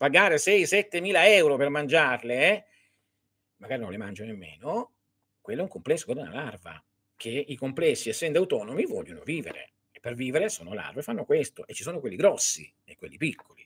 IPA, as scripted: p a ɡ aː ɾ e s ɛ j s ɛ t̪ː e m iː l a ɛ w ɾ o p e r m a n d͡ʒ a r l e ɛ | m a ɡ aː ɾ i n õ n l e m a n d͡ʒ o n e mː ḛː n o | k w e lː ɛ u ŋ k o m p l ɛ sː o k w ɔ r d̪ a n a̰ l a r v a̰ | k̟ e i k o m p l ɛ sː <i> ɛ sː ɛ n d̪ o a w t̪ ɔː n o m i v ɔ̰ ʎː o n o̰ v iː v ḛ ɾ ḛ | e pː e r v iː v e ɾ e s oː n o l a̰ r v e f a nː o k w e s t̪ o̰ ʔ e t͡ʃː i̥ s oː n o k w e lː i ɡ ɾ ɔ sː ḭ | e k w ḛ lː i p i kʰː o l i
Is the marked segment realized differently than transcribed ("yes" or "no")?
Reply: no